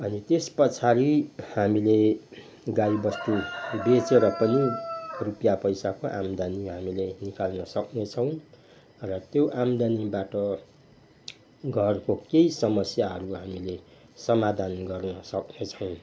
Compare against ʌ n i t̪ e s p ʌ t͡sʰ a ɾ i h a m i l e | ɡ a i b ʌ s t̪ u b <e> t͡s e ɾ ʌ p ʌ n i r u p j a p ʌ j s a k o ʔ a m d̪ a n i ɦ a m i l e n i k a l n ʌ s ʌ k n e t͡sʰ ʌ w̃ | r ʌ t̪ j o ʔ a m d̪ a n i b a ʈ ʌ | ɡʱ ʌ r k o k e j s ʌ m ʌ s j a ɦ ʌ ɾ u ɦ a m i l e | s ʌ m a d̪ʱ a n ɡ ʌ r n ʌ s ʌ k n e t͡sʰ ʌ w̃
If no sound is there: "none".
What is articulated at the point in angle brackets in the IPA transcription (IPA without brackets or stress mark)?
e